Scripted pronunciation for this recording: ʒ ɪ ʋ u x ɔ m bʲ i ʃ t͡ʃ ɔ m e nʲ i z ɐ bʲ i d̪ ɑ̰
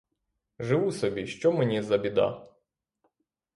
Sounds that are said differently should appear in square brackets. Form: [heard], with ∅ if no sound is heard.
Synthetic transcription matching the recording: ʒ ɪ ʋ u [s] ɔ [∅] bʲ i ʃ t͡ʃ ɔ m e nʲ i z ɐ bʲ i d̪ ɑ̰